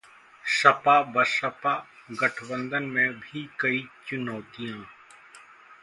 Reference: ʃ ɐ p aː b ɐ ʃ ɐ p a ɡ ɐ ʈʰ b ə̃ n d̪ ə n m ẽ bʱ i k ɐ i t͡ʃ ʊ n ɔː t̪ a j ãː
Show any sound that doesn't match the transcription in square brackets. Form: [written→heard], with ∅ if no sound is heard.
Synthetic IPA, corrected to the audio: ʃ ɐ p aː b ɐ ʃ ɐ p a ɡ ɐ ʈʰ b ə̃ n d̪ ə n m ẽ bʱ i k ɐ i t͡ʃ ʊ n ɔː t̪ [a→i] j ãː